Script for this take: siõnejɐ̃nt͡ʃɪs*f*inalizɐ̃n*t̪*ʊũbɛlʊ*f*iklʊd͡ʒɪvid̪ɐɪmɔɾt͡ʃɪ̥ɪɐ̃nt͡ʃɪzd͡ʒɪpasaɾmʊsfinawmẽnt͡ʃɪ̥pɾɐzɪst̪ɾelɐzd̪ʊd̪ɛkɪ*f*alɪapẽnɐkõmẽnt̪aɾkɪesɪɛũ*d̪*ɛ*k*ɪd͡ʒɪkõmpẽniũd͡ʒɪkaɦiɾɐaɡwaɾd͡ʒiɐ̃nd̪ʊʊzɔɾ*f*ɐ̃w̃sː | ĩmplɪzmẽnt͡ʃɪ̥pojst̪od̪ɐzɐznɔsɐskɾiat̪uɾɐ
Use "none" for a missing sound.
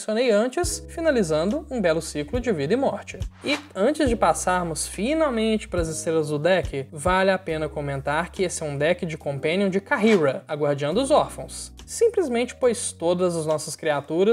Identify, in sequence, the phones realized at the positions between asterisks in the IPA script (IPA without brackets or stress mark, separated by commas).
f, d̪, s, v, d̪, k, f